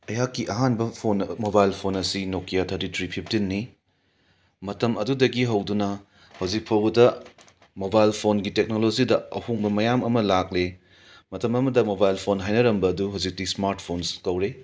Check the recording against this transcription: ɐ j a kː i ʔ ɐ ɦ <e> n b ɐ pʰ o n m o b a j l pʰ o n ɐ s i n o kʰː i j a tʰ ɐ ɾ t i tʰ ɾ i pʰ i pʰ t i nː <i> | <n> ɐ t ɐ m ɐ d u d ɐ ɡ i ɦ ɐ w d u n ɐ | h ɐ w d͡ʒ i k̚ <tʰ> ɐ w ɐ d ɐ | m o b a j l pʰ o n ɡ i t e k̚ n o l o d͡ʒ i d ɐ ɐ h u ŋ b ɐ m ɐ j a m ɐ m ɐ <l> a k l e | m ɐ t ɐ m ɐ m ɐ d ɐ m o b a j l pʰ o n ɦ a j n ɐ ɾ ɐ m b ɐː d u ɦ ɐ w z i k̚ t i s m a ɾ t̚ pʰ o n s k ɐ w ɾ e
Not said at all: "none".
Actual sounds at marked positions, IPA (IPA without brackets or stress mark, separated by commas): a, i, m, pʰ, l